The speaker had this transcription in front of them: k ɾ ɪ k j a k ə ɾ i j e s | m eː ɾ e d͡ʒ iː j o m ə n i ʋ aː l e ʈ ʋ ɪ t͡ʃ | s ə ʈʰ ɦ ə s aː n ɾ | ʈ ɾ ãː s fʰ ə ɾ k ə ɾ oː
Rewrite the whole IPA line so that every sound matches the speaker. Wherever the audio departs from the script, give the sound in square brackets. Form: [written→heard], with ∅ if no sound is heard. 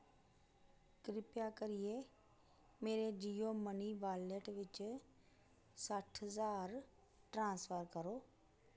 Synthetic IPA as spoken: k ɾ ɪ [k→p] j a k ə ɾ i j e [s→∅] | m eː ɾ e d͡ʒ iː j o m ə n i ʋ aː l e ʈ ʋ ɪ t͡ʃ | s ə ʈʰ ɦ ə [s→z] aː [n→∅] ɾ | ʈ ɾ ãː s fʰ ə ɾ k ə ɾ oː